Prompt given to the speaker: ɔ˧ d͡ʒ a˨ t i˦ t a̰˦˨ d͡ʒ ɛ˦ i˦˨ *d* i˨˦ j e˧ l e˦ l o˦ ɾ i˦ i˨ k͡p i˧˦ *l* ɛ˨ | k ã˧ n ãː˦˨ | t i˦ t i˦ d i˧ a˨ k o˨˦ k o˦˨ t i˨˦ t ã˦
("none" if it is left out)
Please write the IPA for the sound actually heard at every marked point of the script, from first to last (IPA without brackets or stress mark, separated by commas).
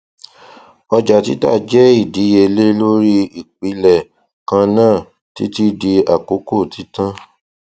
d, l